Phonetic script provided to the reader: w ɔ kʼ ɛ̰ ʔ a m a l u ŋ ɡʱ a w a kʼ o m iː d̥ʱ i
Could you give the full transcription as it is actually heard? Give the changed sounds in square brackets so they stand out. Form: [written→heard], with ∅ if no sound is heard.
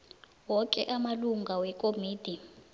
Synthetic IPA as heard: w ɔ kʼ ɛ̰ ʔ a m a l u ŋ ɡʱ a w [a→ɛ] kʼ o m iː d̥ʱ i